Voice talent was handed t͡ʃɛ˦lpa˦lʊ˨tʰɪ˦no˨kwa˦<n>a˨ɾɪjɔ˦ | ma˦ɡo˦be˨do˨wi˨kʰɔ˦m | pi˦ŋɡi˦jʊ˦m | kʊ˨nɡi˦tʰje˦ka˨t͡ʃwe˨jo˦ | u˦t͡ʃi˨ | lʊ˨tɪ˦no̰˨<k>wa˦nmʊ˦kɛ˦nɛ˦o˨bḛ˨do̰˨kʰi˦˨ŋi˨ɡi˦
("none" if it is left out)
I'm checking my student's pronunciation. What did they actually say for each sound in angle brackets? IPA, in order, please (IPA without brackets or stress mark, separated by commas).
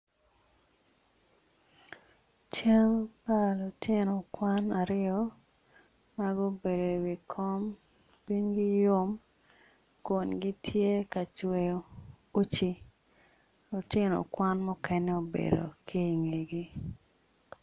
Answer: n, k